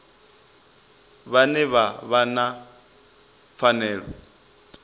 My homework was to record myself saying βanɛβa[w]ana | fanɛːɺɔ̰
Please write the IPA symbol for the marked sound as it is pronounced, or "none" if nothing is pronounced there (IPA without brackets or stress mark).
β